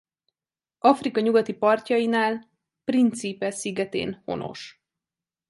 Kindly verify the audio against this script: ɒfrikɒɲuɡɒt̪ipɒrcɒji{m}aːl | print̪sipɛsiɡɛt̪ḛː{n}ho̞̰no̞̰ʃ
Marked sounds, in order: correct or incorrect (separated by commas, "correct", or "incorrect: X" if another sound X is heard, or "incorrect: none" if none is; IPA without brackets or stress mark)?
incorrect: n, correct